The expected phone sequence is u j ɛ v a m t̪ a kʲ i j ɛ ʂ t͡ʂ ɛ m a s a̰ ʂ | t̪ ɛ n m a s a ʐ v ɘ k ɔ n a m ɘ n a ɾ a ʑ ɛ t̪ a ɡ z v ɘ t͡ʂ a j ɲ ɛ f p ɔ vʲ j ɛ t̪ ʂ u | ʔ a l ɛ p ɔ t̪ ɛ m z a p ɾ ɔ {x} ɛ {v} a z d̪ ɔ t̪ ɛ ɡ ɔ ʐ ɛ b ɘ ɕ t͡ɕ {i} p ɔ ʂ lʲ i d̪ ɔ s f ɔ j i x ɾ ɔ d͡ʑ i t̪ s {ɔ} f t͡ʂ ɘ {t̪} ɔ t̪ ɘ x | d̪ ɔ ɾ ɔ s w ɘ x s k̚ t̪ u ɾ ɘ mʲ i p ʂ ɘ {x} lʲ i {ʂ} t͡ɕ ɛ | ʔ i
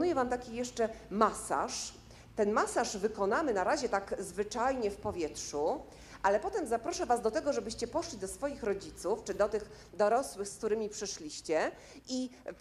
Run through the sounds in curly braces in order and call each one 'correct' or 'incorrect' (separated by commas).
incorrect, correct, incorrect, incorrect, incorrect, incorrect, incorrect